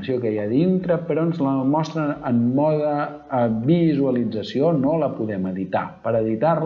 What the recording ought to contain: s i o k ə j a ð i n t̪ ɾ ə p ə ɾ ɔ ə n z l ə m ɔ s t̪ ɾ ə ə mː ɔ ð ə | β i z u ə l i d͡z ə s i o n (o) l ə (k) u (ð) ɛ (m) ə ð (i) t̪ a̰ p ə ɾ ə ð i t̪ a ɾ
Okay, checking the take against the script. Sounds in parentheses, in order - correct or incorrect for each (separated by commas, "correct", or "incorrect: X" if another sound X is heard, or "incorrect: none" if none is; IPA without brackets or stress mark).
correct, incorrect: p, correct, correct, correct